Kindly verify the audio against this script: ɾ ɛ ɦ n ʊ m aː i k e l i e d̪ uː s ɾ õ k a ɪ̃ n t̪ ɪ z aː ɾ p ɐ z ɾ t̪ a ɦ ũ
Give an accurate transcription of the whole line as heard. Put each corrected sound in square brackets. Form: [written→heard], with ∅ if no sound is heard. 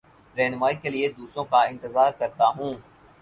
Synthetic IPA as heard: ɾ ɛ ɦ n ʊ m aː i k e l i e d̪ uː s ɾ õ k a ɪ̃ n t̪ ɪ z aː ɾ [p→k] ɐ [z→∅] ɾ t̪ a ɦ [ũ→ũː]